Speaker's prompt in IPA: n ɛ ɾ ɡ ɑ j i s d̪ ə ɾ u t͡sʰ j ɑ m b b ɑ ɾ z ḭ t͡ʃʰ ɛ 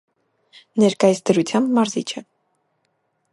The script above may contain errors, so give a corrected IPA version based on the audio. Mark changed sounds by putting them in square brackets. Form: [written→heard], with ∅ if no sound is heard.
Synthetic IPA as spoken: n ɛ ɾ [ɡ→k] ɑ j i s d̪ ə ɾ u t͡sʰ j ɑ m b [b→m] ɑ ɾ z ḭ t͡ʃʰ ɛ